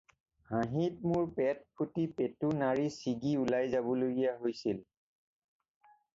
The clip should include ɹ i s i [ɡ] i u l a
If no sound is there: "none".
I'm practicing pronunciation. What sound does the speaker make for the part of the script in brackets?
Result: ɡ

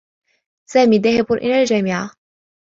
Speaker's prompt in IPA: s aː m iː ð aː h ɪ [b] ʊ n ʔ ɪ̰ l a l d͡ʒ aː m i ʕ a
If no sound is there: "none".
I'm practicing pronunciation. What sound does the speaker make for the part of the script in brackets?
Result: b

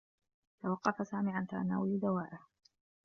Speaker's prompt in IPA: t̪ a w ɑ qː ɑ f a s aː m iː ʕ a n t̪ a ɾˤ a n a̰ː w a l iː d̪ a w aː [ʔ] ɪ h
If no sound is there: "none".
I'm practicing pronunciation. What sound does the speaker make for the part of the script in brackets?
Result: ʔ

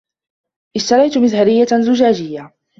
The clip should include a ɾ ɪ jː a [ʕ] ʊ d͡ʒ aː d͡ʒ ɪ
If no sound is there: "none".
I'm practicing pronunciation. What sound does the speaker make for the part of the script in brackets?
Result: z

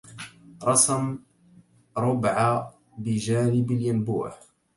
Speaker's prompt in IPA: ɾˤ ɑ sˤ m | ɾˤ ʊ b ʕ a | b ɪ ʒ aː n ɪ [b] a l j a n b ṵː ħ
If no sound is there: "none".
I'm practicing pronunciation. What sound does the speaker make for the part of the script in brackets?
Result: b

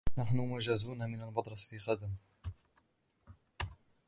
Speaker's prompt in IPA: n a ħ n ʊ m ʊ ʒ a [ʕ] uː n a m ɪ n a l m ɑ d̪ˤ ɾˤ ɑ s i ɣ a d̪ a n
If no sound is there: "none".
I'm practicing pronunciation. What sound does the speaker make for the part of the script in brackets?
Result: z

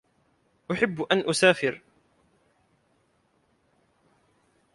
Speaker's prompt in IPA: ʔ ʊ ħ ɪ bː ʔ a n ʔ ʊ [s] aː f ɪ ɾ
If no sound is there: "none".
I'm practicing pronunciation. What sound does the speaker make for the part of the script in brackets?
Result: s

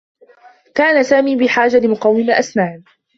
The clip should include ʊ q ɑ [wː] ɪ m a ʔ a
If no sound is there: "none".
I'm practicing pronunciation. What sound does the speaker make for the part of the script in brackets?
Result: wː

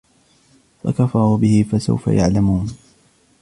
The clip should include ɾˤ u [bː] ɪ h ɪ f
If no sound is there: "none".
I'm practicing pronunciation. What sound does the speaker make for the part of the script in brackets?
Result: b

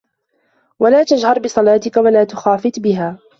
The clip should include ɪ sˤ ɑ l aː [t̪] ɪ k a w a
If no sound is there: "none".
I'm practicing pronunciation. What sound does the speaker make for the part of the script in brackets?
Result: t̪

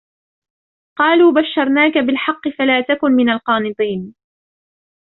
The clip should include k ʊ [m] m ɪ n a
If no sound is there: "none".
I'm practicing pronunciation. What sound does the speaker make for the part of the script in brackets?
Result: n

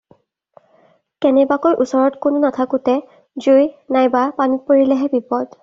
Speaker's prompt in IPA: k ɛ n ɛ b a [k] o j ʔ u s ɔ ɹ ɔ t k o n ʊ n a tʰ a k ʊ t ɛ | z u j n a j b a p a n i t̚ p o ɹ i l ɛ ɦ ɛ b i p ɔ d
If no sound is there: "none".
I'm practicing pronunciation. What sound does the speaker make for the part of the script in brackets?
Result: k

